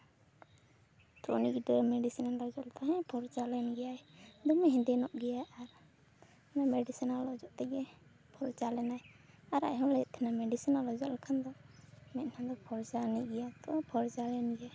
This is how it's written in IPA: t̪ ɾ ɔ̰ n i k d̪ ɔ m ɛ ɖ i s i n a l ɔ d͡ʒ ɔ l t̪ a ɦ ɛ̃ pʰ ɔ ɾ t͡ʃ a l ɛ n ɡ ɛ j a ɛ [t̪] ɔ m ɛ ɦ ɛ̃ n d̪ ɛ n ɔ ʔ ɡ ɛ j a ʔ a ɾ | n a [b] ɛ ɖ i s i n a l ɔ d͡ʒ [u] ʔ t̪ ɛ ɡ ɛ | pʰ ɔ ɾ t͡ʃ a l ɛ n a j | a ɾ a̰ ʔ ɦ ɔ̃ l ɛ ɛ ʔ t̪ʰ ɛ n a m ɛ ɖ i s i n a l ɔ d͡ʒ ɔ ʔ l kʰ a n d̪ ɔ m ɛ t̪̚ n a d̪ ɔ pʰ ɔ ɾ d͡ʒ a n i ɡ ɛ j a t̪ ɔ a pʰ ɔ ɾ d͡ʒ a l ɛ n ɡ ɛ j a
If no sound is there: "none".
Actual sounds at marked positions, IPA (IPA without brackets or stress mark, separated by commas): d̪, m, ɔ